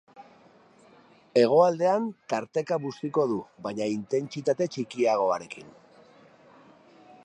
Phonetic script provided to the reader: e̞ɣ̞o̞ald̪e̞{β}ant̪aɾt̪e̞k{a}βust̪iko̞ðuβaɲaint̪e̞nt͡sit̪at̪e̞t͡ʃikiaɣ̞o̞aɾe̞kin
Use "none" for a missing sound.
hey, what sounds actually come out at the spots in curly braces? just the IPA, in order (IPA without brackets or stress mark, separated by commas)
none, a